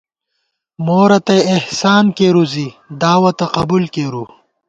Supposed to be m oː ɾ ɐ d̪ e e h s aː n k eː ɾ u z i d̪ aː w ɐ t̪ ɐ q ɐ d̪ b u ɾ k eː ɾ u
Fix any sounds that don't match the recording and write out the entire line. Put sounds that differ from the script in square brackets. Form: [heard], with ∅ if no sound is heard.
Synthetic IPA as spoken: m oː ɾ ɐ [t̪] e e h s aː n k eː ɾ u z i d̪ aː w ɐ t̪ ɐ q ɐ [∅] b u [l] k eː ɾ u